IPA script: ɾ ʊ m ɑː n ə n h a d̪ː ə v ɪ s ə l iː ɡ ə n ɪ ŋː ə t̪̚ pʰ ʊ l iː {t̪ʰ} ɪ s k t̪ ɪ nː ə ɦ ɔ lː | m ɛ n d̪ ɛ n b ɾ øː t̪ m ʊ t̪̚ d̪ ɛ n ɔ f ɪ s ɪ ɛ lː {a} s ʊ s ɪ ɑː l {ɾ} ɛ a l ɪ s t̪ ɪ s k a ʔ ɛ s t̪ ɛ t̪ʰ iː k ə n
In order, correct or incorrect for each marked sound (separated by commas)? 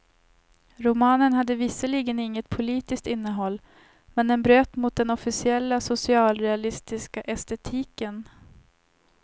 incorrect, correct, correct